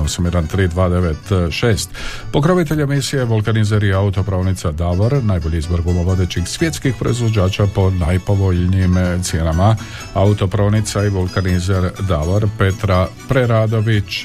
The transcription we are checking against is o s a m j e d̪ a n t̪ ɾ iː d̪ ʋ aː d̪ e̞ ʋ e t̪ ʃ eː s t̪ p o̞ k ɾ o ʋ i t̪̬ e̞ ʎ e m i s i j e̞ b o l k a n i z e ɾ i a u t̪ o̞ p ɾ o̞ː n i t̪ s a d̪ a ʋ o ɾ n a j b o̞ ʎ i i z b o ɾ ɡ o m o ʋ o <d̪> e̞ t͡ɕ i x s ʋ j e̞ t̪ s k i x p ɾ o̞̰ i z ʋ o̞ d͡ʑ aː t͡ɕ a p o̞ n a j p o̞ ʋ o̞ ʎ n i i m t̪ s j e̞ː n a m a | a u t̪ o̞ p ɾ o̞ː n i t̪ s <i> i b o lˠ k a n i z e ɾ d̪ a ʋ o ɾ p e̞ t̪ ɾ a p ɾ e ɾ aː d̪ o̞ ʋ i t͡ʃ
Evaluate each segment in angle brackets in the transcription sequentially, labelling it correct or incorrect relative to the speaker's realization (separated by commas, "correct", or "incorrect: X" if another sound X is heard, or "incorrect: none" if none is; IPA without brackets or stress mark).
correct, incorrect: a